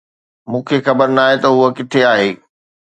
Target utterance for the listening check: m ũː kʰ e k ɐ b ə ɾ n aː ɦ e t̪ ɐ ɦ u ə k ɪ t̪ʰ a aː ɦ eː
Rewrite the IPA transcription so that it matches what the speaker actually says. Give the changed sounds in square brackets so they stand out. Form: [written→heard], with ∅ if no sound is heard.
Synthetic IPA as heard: m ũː kʰ e [k→x] ɐ b ə ɾ n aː ɦ e t̪ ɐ ɦ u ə k ɪ t̪ʰ [a→e] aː ɦ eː